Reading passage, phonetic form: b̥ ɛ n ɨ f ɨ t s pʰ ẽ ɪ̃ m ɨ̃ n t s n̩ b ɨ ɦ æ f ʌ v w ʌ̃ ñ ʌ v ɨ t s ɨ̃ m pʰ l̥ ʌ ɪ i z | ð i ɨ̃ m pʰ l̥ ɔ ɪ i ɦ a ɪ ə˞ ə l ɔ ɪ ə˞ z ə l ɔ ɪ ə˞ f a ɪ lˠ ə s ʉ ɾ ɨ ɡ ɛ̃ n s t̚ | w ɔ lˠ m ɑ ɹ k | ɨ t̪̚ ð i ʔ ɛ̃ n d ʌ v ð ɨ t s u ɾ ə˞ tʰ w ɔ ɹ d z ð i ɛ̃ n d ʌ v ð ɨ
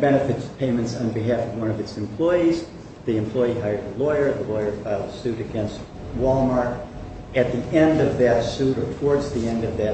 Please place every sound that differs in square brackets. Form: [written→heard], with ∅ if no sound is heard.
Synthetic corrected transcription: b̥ ɛ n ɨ f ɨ t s pʰ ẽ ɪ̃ m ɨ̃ n t s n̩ b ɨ ɦ æ f ʌ v w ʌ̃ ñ ʌ v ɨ t s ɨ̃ m pʰ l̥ [ʌ→ɔ] ɪ i z | ð i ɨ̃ m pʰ l̥ ɔ ɪ i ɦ a ɪ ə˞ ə l ɔ ɪ ə˞ [z→ð] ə l ɔ ɪ ə˞ f a ɪ lˠ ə s ʉ ɾ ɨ ɡ ɛ̃ n s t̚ | w ɔ lˠ m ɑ ɹ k | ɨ t̪̚ ð i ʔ ɛ̃ n d ʌ v ð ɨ t s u ɾ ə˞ tʰ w ɔ ɹ d z ð i ɛ̃ n d ʌ v ð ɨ

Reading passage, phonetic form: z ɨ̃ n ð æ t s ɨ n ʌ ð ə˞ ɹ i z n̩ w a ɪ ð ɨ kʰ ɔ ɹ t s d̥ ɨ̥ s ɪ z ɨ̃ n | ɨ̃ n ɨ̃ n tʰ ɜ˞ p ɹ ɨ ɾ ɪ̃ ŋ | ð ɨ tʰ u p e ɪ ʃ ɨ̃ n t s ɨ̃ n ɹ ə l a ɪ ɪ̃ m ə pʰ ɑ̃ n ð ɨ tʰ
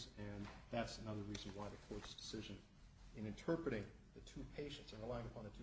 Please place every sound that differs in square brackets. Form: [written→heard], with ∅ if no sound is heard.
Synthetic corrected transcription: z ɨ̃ n ð æ t s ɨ n ʌ ð ə˞ ɹ i z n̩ w a ɪ ð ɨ kʰ ɔ ɹ t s d̥ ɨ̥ s ɪ [z→ʒ] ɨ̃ n | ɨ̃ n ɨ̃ n tʰ ɜ˞ p ɹ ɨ ɾ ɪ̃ ŋ | ð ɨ tʰ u [p→pʰ] e ɪ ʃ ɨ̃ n t s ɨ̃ n ɹ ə l a ɪ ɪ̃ [m→ŋ] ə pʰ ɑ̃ n ð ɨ tʰ

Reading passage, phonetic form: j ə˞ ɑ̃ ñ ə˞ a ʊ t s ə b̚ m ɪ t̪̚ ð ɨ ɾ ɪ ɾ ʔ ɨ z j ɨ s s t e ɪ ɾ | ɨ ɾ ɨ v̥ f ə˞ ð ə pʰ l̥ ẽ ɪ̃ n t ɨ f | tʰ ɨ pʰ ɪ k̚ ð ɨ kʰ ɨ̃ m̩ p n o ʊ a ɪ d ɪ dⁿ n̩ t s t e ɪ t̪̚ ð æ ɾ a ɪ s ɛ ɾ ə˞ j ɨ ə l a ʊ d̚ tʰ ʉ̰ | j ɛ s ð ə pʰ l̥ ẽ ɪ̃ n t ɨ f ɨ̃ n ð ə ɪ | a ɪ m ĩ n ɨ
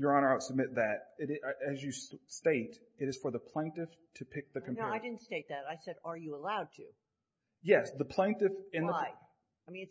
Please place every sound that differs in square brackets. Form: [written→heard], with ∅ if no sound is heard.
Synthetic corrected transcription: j ə˞ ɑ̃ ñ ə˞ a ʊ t s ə b̚ m ɪ t̪̚ ð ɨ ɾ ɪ ɾ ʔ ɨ z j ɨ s s t e ɪ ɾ | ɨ ɾ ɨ [v̥→z̥] f ə˞ ð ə pʰ l̥ ẽ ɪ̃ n t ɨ f | tʰ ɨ pʰ ɪ k̚ ð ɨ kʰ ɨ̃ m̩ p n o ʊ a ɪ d ɪ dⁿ n̩ t s t e ɪ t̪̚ ð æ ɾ a ɪ s ɛ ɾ ə˞ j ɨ ə l a ʊ d̚ tʰ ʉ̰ | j ɛ s ð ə pʰ l̥ ẽ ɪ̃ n t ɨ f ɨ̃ n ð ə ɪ | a ɪ m ĩ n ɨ

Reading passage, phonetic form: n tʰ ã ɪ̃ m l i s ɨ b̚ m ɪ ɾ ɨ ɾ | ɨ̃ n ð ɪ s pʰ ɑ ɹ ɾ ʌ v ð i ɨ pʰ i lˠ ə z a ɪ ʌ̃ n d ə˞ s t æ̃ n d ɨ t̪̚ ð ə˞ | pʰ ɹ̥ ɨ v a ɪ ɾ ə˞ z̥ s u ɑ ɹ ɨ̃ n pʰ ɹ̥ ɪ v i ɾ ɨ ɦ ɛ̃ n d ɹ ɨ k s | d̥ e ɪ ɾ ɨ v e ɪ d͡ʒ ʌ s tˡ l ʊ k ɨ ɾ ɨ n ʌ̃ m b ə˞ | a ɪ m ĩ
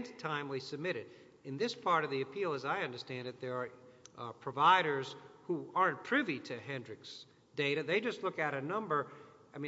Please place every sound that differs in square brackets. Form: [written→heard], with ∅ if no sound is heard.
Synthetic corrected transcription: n tʰ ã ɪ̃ m l i s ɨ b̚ m ɪ ɾ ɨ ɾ | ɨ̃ n ð ɪ s pʰ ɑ ɹ ɾ ʌ v ð i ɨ pʰ i lˠ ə z a ɪ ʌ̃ n d ə˞ s t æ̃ n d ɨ t̪̚ ð ə˞ | pʰ ɹ̥ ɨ v a ɪ ɾ ə˞ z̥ [s→h] u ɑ ɹ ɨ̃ n pʰ ɹ̥ ɪ v i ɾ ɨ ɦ ɛ̃ n d ɹ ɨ k s | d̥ e ɪ ɾ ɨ [v→ð] e ɪ d͡ʒ ʌ s tˡ l ʊ k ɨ ɾ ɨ n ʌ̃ m b ə˞ | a ɪ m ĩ

